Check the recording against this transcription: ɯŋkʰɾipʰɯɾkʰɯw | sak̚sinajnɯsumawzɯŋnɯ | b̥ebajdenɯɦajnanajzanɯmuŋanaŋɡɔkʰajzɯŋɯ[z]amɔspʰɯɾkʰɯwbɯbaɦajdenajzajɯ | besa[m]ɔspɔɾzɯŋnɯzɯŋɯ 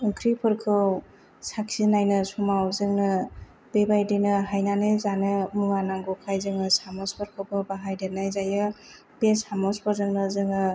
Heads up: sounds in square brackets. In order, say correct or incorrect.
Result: incorrect: s, correct

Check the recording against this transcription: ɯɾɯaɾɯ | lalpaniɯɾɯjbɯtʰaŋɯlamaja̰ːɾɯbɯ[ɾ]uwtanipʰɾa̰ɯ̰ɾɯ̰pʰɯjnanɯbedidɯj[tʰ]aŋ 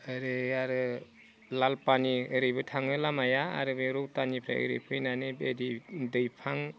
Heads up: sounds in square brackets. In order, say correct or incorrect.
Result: correct, incorrect: pʰ

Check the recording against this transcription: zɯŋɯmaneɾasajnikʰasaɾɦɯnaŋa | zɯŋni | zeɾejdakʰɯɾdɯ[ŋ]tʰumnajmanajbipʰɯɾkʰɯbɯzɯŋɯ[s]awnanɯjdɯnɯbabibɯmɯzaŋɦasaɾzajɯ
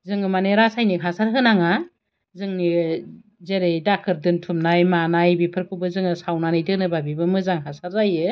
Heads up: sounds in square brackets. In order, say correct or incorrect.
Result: incorrect: n, correct

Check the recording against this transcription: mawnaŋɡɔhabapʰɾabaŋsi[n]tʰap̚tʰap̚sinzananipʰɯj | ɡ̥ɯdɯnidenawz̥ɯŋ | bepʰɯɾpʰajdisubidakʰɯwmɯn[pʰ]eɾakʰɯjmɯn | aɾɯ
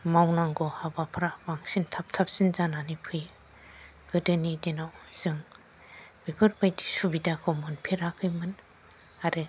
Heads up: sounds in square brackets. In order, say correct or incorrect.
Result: correct, correct

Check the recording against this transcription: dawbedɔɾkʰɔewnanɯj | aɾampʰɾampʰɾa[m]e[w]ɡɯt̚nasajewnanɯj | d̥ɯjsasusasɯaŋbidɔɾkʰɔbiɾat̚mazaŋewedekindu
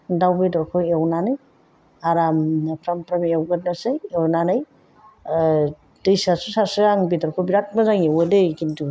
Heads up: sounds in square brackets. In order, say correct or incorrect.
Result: correct, correct

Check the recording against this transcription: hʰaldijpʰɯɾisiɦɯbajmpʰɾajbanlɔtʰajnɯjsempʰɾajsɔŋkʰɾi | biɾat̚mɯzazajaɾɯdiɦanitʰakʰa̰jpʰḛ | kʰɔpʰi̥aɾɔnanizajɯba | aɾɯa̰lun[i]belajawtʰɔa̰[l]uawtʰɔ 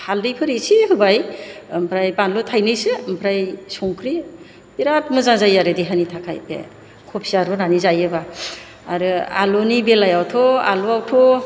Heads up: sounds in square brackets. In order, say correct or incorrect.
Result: correct, correct

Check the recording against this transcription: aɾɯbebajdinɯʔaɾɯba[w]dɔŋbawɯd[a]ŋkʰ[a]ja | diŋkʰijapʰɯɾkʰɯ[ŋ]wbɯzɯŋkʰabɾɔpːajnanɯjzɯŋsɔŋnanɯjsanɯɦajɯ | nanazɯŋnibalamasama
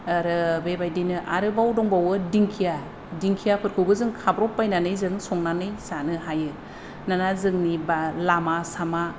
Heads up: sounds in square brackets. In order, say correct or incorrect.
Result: correct, incorrect: i, incorrect: i, incorrect: none

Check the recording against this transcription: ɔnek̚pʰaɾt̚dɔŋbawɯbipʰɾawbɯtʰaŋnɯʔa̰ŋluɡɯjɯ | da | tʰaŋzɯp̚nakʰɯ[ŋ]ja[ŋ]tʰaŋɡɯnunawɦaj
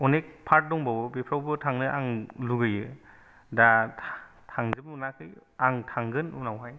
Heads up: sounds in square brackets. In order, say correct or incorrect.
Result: incorrect: none, correct

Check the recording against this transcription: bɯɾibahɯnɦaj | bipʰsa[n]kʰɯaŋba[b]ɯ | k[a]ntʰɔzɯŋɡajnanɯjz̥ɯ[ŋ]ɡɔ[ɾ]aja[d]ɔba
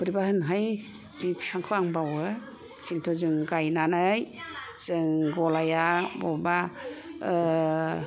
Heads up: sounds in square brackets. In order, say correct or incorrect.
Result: incorrect: ŋ, incorrect: w, incorrect: i, correct, incorrect: l, incorrect: b

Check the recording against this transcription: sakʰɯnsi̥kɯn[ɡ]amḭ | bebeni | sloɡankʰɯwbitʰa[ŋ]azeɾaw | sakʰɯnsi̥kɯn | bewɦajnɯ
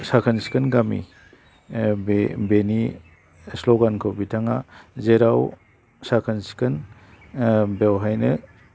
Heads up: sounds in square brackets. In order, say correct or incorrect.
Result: correct, correct

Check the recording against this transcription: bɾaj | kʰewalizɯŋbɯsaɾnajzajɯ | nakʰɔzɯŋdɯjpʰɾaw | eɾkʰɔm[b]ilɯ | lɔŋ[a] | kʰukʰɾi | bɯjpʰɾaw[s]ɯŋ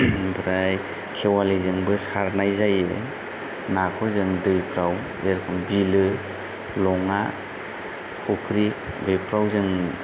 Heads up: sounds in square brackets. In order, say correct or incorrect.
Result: correct, correct, incorrect: z

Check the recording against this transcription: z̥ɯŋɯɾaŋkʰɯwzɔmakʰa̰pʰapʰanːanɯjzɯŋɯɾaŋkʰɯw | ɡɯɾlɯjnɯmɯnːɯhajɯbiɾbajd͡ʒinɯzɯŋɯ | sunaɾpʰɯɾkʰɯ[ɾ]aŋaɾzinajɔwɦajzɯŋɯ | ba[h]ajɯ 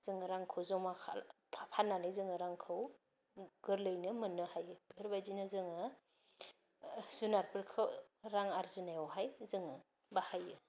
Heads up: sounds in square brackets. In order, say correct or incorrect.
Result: correct, correct

